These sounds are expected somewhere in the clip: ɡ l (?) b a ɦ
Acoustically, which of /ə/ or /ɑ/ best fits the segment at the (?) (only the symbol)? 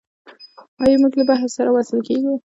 ə